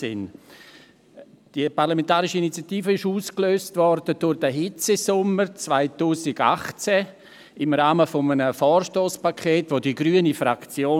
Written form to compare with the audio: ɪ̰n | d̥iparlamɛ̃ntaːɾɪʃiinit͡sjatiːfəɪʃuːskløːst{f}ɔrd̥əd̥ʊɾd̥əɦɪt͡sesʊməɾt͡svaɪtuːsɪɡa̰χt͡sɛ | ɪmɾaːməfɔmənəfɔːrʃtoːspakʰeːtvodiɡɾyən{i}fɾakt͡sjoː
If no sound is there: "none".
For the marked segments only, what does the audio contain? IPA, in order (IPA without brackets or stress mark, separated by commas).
v, i